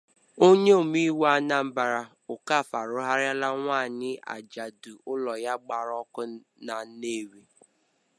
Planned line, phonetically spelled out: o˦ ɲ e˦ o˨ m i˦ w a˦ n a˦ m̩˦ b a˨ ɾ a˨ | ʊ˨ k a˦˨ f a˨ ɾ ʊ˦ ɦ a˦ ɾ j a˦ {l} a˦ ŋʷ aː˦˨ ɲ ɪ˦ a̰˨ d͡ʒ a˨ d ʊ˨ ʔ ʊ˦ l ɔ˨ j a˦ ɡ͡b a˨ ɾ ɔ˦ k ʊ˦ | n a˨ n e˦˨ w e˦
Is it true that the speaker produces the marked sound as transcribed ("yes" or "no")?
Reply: yes